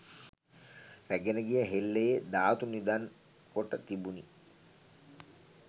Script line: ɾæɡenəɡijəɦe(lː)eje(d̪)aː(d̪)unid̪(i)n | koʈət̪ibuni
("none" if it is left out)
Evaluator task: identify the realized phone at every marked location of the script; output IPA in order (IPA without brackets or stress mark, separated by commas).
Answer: lː, d̪, t̪, a